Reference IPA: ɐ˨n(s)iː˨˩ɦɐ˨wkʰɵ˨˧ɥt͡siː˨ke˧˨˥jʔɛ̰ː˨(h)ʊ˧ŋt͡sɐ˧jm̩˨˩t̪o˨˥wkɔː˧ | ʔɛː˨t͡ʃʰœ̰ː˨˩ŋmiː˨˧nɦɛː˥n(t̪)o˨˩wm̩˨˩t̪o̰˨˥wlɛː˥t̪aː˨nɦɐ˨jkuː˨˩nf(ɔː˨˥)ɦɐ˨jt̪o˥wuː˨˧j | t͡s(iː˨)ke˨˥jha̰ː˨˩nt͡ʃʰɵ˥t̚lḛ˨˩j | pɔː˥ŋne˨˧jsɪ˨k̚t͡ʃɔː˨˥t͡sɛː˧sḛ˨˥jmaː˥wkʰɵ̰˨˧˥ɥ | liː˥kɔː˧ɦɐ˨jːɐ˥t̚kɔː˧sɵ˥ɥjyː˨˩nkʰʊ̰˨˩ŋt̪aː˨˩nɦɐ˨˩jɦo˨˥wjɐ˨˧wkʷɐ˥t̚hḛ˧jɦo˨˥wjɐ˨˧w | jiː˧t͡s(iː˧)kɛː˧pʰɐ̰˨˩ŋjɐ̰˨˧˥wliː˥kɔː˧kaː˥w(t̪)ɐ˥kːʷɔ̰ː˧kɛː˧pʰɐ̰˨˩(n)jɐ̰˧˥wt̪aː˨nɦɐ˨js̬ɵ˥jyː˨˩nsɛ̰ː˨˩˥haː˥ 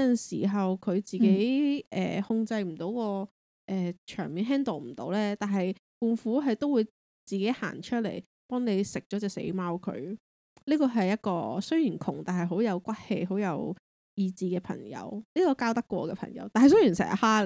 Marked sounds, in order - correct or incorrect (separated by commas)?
correct, correct, correct, incorrect, correct, correct, correct, incorrect